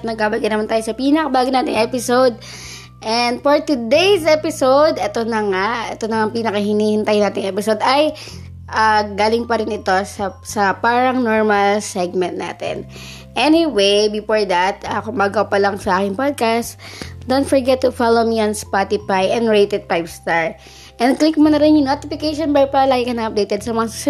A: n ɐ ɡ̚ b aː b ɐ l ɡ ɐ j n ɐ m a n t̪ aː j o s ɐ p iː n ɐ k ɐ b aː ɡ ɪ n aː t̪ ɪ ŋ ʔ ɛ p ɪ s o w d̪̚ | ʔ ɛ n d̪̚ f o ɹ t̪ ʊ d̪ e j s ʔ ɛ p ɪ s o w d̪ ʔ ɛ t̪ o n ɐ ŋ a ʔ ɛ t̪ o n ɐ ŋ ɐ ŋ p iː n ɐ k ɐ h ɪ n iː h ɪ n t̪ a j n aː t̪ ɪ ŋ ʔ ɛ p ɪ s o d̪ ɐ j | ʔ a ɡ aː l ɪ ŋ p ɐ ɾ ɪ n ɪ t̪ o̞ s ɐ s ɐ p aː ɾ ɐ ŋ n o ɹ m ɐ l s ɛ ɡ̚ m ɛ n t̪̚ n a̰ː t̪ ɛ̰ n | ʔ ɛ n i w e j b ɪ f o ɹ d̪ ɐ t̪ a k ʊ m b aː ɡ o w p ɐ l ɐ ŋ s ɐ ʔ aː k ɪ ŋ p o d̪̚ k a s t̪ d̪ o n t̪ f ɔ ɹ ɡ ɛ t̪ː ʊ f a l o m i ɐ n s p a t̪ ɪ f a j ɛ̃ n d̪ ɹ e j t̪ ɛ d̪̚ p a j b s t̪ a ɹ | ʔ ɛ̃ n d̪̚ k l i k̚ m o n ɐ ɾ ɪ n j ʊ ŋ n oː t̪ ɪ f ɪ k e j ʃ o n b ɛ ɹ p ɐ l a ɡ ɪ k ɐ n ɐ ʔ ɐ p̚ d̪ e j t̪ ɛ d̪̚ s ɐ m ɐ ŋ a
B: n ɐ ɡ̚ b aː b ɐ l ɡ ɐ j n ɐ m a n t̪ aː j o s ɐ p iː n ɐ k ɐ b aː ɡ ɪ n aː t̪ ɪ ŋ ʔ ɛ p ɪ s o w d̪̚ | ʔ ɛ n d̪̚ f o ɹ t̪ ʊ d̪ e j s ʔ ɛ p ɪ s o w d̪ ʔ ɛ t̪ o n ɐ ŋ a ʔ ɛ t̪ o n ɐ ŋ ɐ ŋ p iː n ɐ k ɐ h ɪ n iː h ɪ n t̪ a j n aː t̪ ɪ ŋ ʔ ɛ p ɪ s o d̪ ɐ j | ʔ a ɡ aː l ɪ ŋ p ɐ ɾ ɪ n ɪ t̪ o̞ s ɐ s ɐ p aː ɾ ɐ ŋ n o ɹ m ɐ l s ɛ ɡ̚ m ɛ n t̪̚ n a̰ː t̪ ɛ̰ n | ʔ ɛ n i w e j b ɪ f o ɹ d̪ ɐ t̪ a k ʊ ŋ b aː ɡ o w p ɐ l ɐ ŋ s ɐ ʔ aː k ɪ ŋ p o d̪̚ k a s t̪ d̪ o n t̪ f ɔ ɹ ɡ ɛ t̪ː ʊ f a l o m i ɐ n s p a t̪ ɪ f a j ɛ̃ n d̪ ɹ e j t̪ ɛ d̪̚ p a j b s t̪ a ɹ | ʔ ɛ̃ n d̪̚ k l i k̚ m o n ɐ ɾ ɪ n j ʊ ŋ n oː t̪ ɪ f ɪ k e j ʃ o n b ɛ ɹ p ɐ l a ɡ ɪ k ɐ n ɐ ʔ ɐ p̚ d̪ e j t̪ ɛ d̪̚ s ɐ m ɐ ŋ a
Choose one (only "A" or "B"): A